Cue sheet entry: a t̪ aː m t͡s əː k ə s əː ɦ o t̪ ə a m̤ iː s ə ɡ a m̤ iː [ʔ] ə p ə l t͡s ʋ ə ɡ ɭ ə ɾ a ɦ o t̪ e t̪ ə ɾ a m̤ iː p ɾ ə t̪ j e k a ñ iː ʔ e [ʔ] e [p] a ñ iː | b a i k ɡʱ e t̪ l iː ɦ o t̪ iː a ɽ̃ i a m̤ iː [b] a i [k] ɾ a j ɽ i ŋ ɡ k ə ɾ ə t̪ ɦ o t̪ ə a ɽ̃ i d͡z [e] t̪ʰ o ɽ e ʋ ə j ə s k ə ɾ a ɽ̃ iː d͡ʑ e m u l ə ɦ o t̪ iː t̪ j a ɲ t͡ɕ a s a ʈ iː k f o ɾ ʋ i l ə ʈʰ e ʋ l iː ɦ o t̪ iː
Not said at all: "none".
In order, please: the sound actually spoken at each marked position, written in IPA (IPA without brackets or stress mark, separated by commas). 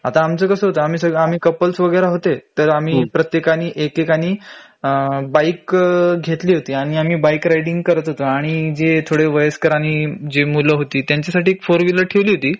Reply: k, k, k, b, k, e